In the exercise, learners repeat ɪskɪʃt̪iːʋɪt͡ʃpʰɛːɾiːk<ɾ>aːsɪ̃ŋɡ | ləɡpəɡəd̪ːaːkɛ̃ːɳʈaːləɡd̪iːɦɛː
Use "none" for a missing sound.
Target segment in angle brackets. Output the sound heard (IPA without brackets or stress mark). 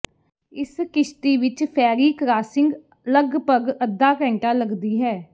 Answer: ɾ